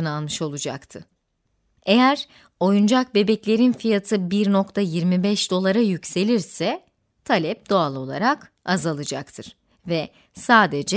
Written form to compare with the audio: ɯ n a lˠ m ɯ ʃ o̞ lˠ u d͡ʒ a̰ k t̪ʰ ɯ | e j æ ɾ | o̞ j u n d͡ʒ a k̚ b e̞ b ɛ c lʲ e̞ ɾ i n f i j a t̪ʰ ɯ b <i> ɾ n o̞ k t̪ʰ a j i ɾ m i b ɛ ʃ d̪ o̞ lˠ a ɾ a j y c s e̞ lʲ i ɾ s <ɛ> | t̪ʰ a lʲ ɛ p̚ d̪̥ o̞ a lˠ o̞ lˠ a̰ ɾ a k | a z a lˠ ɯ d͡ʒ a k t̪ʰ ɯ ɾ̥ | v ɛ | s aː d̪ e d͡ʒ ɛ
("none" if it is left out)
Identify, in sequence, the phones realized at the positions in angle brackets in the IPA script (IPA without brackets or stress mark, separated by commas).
i, ɛ